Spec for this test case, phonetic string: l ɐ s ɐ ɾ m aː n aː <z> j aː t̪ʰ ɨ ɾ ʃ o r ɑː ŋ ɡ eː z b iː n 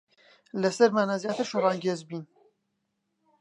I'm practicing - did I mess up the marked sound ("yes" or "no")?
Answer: no